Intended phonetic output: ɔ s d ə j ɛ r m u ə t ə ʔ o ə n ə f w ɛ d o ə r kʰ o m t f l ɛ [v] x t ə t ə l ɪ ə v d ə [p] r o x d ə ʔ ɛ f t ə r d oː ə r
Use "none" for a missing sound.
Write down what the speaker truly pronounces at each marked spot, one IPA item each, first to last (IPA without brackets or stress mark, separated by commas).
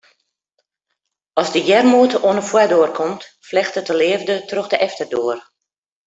none, t